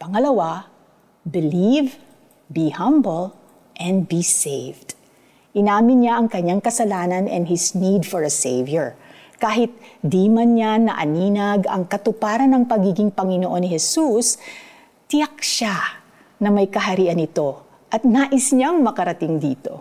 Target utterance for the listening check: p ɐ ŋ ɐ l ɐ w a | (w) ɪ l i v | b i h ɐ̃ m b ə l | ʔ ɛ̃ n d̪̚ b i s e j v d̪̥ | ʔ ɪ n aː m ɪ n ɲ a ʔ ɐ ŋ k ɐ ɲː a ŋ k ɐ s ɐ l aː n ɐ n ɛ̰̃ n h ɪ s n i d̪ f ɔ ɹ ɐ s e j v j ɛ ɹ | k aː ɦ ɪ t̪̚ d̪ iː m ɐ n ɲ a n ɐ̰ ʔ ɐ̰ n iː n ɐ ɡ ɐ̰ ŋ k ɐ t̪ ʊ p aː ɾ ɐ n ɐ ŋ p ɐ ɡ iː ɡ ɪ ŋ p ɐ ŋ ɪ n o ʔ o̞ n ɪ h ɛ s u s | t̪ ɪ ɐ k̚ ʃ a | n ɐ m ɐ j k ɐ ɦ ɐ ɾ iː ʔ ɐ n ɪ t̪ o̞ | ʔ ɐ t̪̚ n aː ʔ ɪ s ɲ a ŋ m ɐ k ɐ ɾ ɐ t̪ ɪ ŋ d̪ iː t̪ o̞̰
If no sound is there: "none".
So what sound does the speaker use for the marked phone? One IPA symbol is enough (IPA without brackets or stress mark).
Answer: b